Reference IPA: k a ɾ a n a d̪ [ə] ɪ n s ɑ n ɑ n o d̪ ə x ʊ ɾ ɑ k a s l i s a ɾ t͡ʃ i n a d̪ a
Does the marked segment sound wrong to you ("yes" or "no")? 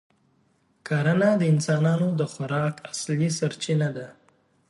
no